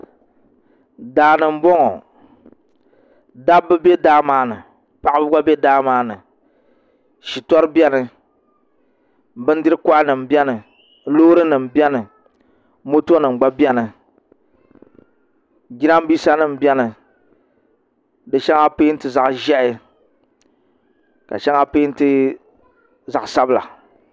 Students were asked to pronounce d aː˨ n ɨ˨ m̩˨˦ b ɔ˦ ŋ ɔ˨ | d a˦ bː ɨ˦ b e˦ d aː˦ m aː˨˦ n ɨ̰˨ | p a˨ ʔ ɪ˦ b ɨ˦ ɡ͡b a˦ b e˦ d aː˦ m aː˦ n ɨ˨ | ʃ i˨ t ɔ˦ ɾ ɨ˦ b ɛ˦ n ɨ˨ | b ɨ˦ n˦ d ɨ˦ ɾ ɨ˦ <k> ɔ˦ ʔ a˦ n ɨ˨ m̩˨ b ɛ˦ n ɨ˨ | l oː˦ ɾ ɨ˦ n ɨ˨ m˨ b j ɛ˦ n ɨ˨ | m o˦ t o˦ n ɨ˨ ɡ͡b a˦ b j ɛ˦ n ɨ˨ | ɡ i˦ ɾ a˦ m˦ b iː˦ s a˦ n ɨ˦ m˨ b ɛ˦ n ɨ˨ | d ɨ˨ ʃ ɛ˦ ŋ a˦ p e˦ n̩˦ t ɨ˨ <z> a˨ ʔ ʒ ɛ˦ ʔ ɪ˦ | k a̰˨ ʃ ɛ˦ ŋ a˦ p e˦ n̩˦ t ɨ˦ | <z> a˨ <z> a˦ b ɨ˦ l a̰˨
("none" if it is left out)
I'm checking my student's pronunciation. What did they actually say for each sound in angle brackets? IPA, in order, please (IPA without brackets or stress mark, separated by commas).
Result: k, z, z, s